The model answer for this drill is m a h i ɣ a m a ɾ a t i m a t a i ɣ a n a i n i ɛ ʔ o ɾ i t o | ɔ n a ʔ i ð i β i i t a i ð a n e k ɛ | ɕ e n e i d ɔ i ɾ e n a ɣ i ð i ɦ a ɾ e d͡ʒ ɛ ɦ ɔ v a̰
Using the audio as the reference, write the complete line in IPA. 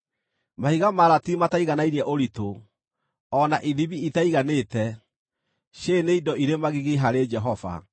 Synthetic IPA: m a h i ɣ a m a ɾ a t i m a t a i ɣ a n a i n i ɛ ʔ o ɾ i t o | ɔ n a ʔ i ð i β i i t a i ɣ a n e t ɛ | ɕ e n e i d ɔ i ɾ e m a ɣ i ɣ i ɦ a ɾ e d͡ʒ ɛ ɦ ɔ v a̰

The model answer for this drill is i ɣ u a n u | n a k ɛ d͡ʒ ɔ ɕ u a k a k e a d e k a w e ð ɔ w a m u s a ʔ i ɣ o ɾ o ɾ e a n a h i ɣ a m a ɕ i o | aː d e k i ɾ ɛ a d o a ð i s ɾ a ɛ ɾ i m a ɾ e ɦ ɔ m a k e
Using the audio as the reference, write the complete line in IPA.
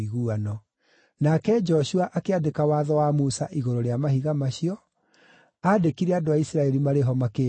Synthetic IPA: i ɣ u a n ɔ | n a k ɛ d͡ʒ ɔ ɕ u a ʔ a k e a d e k a w a ð ɔ w a m u s a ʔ i ɣ o ɾ o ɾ e a m a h i ɣ a m a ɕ i ɔ | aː d e k i ɾ ɛ a d o a i s ɾ a ɛ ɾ i m a ɾ e ɦ ɔ m a k e

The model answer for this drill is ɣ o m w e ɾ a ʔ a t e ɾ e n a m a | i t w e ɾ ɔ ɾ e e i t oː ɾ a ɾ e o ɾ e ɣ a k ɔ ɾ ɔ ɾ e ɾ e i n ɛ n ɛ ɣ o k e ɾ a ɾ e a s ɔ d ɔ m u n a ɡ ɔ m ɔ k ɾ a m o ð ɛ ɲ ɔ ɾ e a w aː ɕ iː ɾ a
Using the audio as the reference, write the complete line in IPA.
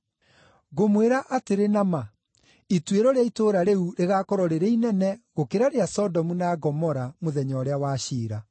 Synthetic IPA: ɣ o m w e ɾ a ʔ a t e ɾ e n a m a | i t w e ɾ ɔ ɾ e a i t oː ɾ a ɾ e u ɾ e ɣ a k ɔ ɾ ɔ ɾ e ɾ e i n ɛ n ɛ ɣ o k e ɾ a ɾ e a s ɔ d ɔ m u n a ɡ ɔ m ɔ ɾ a m o ð ɛ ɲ ɔ ɾ e a w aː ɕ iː ɾ a

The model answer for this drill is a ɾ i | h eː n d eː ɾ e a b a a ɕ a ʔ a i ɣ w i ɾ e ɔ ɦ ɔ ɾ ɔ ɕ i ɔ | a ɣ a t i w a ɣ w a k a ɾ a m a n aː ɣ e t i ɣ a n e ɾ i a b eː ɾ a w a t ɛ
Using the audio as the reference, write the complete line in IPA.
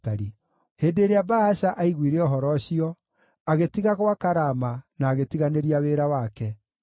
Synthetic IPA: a ɾ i | h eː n d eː ɾ e a b a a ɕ a ʔ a i ɣ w i ɾ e ɔ ɦ ɔ ɾ ɔ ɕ i ɔ | a ɣ e t i ɣ a ɣ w a k a ɾ a m a n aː ɣ e t i ɣ a n e ɾ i a w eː ɾ a w a k ɛ

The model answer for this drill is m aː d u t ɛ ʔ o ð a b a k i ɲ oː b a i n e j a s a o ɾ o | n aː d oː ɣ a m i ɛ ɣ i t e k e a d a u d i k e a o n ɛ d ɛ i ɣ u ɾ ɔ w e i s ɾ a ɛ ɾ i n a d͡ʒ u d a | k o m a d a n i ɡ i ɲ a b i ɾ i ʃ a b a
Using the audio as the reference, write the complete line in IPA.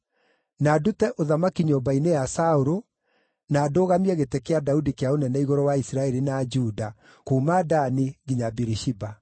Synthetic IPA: n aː d u t ɛ ʔ o ð a m a k i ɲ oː b a i n e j a s a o ɾ o | n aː d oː ɣ a m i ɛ ɣ e t e k e a d a u d i k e a o n ɛ n ɛ i ɣ ɔ ɾ ɔ w a i s ɾ a ɛ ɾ i n a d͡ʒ u d a | k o m a d a n i ɡ i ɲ a b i ɾ i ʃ i b a

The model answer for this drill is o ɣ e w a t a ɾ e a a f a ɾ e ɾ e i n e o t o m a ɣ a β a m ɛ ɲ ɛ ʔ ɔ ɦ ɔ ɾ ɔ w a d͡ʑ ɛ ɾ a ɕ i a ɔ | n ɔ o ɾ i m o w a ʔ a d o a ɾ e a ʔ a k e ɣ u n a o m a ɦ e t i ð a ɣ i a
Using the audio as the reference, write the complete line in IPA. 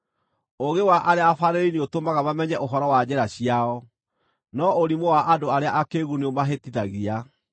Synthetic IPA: o ɣ e w a ʔ a ɾ e a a f a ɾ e ɾ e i n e o t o m a ɣ a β a m ɛ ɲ ɛ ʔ o ɦ ɔ ɾ ɔ w a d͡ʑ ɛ ɾ a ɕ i a ɔ | n ɔ o ɾ i m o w a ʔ a d o a ɾ e a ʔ a k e ɣ u n e o m a ɦ e t i ð a ɣ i a

